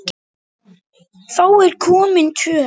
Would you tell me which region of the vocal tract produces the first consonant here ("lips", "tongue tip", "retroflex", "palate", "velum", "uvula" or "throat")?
lips